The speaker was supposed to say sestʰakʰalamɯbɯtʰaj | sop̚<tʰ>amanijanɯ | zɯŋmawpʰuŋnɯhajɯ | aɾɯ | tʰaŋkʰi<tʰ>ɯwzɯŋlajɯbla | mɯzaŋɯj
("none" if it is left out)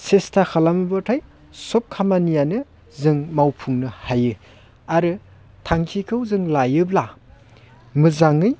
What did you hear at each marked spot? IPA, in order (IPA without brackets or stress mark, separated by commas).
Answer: kʰ, kʰ